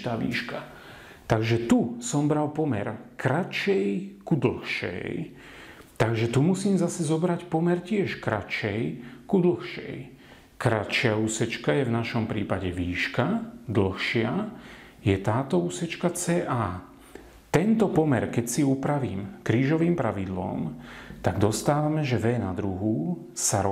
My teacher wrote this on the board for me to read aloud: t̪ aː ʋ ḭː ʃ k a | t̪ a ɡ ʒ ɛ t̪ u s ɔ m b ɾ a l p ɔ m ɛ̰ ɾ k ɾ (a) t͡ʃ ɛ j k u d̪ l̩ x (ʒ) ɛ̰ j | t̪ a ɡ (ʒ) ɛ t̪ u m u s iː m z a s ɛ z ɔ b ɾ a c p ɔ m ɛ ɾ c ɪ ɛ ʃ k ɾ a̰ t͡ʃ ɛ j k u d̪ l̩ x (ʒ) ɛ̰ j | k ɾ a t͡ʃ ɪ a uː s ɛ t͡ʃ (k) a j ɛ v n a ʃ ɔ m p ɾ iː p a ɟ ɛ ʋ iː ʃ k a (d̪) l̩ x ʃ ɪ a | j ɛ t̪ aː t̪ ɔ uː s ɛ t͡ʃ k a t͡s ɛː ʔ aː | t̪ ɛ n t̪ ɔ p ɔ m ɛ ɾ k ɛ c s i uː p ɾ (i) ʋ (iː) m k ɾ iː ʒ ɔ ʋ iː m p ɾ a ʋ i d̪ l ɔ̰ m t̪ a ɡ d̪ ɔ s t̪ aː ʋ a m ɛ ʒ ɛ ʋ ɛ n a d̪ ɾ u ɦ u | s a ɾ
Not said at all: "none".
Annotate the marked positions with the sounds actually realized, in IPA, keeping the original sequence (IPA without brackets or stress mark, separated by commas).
a, ʃ, ʒ, ʃ, k, d̪, a, iː